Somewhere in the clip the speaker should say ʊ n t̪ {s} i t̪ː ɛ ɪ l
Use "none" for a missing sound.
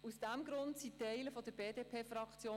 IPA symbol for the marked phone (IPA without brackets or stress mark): s